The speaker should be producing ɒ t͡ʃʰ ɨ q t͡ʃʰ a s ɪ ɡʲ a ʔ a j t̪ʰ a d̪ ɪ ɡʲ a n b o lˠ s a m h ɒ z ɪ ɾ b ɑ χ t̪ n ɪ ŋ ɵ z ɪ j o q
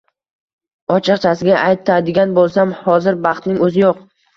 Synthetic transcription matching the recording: ɒ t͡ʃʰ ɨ q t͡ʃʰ a s ɪ ɡʲ a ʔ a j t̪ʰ a d̪ ɪ ɡʲ a n b o lˠ s a m h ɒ z ɪ ɾ b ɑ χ t̪ n ɪ ŋ ɵ z ɪ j o q